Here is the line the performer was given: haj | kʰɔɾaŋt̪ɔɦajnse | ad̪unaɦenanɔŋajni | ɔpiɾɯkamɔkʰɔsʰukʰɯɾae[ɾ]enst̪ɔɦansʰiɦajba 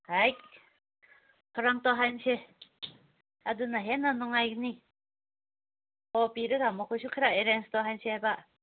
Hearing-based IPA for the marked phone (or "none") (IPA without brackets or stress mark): ɾ